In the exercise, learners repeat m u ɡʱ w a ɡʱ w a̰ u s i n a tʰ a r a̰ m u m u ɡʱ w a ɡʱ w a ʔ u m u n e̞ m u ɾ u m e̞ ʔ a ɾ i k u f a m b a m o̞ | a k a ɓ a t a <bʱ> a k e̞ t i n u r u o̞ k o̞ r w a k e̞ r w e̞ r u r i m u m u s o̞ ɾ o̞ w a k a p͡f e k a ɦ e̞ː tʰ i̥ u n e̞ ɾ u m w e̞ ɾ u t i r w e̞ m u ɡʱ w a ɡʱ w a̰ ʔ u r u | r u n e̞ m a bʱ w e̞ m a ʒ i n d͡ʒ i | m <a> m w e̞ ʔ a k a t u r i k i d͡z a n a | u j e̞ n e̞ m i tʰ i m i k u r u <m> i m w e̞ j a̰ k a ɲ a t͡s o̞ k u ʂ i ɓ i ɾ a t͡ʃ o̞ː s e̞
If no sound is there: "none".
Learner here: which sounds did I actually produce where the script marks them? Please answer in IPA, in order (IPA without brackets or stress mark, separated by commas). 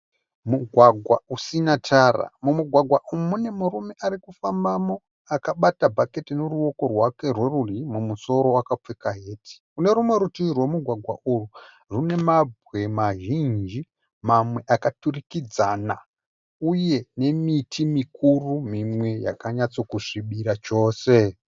bʱ, a, m